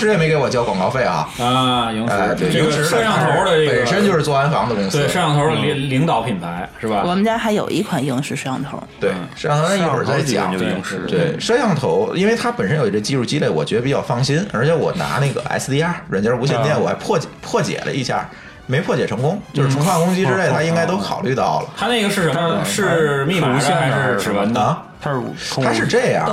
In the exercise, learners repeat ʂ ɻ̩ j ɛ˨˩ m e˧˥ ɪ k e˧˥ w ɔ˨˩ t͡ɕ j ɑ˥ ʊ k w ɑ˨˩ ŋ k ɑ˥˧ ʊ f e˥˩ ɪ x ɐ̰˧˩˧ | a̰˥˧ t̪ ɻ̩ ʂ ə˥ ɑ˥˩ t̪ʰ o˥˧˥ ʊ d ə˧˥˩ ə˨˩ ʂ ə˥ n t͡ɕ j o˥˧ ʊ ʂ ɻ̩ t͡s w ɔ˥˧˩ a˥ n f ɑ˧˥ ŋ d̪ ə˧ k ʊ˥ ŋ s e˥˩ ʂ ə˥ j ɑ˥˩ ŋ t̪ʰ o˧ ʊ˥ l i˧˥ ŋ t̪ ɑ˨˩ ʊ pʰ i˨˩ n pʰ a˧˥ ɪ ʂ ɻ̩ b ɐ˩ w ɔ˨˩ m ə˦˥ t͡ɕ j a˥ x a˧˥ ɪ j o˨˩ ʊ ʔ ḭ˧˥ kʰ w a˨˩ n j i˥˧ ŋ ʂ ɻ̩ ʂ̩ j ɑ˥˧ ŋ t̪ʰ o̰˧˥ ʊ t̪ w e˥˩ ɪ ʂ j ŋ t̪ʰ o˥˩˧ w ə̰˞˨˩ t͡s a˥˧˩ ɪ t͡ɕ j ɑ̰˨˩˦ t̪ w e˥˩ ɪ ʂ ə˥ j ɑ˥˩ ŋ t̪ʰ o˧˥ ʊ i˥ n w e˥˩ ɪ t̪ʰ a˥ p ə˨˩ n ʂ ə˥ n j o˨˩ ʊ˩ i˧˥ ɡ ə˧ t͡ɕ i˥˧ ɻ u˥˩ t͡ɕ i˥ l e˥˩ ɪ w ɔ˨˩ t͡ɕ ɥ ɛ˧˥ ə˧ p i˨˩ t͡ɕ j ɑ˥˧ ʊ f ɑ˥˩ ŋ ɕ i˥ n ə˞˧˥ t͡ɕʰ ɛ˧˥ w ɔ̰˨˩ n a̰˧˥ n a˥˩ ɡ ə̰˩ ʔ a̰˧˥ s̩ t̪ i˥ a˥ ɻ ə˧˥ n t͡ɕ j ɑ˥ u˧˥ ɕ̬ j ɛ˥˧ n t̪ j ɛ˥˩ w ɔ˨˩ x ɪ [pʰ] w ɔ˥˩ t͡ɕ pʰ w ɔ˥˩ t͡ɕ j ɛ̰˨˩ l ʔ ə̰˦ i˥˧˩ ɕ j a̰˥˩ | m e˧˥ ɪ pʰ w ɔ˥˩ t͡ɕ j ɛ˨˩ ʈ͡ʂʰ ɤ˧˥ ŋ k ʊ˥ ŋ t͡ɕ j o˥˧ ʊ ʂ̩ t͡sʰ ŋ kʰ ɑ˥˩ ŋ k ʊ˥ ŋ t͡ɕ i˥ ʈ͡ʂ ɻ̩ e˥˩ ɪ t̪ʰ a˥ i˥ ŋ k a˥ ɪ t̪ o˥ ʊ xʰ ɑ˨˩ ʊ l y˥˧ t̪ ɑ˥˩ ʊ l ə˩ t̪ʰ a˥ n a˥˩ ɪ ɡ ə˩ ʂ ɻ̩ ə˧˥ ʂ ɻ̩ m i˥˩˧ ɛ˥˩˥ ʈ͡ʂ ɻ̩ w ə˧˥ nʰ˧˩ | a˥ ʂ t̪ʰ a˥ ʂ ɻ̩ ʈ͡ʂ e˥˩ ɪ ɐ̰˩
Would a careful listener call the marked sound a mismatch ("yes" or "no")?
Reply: no